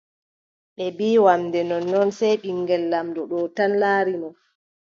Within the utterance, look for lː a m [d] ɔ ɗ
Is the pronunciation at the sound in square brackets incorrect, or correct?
correct